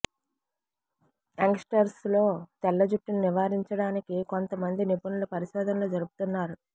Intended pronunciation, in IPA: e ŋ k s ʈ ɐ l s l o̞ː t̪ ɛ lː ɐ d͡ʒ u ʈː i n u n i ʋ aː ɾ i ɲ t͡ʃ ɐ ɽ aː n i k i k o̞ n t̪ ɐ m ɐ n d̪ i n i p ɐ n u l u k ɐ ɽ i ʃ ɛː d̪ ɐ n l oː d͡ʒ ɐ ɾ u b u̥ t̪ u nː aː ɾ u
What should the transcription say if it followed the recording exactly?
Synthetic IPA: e ŋ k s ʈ ɐ ɾ s l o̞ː t̪ ɛ lː ɐ d͡ʒ u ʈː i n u n i ʋ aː ɾ i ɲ t͡ʃ ɐ ɽ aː n i k i k o̞ n t̪ ɐ m ɐ n d̪ i n i p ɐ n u l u p ɐ ɾ i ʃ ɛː d̪ ɐ n l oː d͡ʒ ɐ ɾ u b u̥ t̪ u nː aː ɾ u